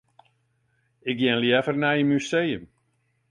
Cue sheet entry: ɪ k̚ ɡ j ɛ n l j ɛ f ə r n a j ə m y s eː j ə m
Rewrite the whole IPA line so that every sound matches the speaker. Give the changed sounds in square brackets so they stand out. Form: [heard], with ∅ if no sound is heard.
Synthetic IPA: ɪ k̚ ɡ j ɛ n l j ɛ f ə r n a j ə m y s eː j ə m